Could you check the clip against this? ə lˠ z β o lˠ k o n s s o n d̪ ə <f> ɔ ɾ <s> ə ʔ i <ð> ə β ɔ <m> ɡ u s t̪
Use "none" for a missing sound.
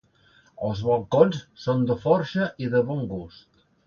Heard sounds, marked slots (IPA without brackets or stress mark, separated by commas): f, ʃ, ð, ŋ